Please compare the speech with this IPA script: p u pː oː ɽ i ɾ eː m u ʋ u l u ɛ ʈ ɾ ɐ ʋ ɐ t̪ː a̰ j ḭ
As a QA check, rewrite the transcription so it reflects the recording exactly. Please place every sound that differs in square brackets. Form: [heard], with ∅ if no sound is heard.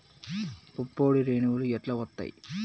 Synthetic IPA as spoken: p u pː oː ɽ i ɾ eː [n] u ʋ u l u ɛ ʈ [l] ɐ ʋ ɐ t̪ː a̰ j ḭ